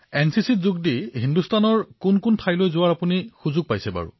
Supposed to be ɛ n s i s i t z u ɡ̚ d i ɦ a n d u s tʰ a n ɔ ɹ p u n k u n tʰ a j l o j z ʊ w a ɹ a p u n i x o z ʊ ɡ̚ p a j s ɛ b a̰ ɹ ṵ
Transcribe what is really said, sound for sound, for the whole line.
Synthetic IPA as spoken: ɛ n s i s i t z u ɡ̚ d i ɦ i n d u s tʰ a n ɔ ɹ k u n k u n tʰ a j l o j z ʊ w a ɹ a p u n i x u z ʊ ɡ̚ p a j s ɛ b a̰ ɹ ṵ

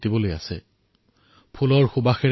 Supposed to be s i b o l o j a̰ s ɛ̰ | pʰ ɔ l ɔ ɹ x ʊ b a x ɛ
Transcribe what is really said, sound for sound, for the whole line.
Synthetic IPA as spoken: t i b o l o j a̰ s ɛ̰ | pʰ u l ɔ ɹ x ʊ b a x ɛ

